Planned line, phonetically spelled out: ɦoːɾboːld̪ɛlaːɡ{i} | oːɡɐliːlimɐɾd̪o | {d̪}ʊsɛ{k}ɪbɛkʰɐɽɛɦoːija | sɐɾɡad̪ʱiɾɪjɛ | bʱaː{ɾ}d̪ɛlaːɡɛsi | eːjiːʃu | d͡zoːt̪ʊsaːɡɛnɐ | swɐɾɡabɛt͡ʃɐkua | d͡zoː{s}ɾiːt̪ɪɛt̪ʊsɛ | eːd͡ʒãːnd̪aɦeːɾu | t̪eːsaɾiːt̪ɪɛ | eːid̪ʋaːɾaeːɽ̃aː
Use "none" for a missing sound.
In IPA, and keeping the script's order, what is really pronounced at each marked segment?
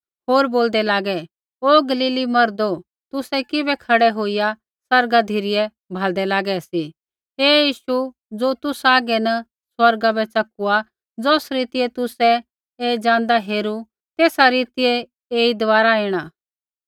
ɛ, t̪, k, l, s

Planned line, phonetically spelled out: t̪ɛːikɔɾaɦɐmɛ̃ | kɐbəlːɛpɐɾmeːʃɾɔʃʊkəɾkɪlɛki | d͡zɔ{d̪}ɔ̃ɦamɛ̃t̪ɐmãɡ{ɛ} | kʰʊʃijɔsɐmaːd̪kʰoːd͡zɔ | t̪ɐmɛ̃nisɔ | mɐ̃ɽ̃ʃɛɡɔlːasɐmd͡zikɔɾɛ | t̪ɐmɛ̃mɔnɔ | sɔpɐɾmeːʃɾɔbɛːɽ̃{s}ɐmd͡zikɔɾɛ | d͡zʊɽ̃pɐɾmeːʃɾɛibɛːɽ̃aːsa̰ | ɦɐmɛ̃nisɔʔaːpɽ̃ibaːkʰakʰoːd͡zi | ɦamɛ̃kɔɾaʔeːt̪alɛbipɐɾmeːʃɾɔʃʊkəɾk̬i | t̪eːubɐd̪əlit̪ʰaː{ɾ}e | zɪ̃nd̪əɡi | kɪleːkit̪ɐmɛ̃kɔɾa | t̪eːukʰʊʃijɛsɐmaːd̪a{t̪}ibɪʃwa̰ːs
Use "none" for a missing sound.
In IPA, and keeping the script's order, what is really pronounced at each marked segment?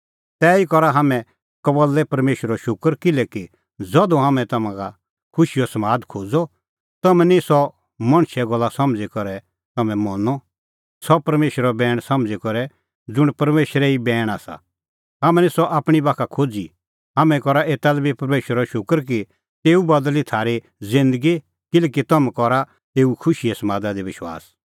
d̪, a, s, ɾ, d̪

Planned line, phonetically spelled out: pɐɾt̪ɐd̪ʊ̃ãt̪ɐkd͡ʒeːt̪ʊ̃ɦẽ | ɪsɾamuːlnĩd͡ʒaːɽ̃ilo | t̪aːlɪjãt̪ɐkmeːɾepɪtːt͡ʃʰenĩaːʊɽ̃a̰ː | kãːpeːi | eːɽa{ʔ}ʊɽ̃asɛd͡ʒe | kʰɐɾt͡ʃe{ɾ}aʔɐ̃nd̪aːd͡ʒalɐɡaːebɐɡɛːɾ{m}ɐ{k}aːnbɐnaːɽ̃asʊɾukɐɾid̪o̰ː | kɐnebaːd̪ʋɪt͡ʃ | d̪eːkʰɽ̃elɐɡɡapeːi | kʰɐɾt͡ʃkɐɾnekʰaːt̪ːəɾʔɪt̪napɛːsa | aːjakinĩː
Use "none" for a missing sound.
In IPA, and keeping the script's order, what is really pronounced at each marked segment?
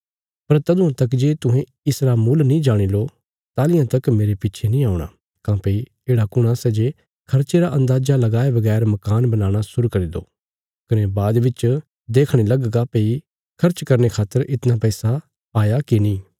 k, ɾ, m, k

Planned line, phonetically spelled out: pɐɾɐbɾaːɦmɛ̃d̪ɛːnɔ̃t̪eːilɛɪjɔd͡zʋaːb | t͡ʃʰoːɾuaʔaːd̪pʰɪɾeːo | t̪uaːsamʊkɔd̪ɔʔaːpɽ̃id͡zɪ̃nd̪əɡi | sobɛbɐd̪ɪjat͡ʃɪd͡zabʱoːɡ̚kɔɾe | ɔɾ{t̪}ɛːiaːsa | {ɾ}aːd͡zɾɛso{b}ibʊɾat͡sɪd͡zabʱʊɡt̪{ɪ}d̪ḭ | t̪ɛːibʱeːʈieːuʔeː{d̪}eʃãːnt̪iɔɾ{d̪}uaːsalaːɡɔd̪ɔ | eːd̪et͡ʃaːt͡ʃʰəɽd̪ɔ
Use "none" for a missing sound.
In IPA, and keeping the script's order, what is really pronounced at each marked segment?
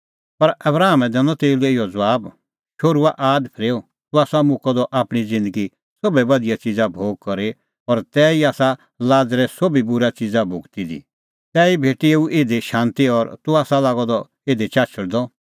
t̪, l, b, i, d̪, t̪

